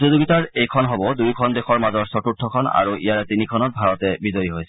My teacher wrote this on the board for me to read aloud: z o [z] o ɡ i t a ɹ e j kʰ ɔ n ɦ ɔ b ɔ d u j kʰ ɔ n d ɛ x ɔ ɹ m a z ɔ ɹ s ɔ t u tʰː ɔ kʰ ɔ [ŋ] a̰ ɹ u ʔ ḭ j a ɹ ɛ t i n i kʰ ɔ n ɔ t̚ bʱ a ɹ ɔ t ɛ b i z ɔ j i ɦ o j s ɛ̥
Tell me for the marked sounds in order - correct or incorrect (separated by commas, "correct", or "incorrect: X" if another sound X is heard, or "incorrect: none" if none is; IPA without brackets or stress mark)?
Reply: correct, incorrect: n